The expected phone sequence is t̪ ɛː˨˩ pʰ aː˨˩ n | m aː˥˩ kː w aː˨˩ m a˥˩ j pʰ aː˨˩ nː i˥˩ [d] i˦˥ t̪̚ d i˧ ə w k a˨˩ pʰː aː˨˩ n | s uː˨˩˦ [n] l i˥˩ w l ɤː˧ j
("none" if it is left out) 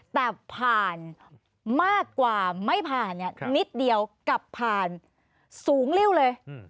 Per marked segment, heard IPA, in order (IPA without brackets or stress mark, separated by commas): n, ŋ